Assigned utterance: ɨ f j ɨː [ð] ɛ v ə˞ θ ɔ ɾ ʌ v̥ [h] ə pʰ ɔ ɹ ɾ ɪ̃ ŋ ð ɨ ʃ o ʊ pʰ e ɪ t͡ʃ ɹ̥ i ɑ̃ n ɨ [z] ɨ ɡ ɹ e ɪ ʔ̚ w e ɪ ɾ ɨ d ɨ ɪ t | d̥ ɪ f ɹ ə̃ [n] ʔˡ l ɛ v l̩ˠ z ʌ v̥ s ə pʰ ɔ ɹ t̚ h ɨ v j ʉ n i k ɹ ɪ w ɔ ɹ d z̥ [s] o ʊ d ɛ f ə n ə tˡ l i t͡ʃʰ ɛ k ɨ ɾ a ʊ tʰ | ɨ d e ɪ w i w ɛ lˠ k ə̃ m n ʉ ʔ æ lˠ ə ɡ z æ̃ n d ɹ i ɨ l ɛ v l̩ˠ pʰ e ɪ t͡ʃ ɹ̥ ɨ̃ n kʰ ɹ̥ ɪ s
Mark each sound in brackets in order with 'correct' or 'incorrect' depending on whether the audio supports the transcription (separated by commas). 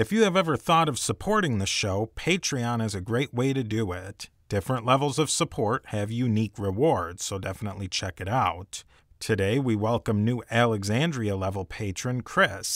incorrect, incorrect, correct, correct, correct